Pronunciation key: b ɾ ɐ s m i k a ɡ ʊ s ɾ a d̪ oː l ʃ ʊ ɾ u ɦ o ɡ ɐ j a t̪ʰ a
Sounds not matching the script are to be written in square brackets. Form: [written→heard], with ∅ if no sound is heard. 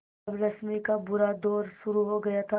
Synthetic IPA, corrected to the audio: b ɾ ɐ s m i k a [ɡ→b] ʊ [s→∅] ɾ a d̪ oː [l→ɾ] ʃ ʊ ɾ u ɦ o ɡ ɐ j a t̪ʰ a